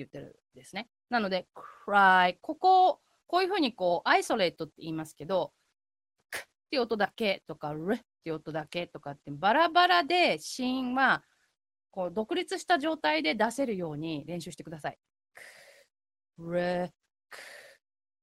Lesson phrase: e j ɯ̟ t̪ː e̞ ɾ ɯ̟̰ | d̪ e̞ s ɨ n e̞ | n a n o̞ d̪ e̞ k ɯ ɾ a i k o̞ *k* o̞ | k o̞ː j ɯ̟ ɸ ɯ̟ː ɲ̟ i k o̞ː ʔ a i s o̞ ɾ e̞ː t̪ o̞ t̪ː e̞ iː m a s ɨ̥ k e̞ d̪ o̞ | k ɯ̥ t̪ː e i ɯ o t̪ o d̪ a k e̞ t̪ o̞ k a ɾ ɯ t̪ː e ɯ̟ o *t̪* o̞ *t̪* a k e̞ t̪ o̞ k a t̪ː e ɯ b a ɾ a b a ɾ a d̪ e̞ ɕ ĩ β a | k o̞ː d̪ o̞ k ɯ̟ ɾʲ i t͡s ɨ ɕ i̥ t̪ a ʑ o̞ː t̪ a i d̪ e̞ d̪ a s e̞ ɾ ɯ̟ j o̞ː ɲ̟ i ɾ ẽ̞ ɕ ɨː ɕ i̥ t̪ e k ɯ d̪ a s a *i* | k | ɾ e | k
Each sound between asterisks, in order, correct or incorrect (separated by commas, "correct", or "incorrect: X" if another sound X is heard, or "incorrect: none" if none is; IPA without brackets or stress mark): correct, correct, incorrect: d̪, correct